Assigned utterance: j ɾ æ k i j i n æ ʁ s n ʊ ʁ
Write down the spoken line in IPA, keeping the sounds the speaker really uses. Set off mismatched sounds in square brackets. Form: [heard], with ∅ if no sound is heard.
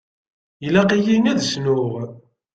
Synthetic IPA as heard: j [l] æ [q] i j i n æ [ð] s n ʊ ʁ

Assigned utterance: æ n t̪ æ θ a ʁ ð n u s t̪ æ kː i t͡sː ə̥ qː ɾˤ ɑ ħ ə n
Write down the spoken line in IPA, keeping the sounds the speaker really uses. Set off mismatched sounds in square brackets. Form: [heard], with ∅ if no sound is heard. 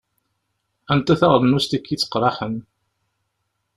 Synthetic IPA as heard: æ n t̪ æ θ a ʁ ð n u s t̪ æ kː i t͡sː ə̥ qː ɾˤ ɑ ħ ə n

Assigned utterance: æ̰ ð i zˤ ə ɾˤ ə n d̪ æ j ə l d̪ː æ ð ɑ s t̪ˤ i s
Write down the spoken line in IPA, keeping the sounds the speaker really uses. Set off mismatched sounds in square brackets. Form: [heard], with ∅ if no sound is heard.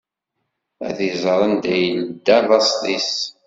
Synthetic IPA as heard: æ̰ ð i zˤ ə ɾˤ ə n d̪ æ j ə l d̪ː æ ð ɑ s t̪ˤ i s

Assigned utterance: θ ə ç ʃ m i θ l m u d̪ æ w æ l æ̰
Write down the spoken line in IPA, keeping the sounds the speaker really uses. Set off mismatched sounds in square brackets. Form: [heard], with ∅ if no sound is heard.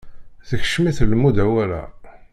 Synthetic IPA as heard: θ ə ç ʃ m i θ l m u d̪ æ w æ l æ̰

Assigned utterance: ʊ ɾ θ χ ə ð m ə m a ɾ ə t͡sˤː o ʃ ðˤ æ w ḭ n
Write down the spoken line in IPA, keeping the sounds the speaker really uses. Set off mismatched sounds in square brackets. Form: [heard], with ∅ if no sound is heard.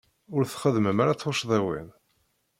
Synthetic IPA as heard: ʊ ɾ θ χ ə ð m ə m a ɾ [a] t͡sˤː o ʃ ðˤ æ w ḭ n

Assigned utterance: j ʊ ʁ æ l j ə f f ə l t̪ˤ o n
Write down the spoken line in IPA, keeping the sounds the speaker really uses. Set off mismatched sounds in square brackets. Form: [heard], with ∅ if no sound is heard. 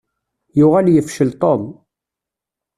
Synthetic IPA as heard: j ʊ ʁ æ l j ə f [ʃ] ə l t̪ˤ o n

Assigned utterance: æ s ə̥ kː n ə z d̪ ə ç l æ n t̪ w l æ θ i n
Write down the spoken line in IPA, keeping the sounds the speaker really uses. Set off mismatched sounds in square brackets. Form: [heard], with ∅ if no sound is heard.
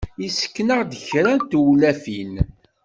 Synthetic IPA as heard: [i] s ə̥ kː n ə [ʁ] d̪ ə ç [ɾ] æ n t̪ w l æ [f] i n

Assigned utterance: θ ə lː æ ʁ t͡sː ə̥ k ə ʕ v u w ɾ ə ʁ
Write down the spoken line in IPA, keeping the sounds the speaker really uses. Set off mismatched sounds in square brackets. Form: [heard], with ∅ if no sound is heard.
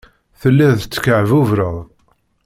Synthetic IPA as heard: θ ə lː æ [ð] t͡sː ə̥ k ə ʕ v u [v] ɾ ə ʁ

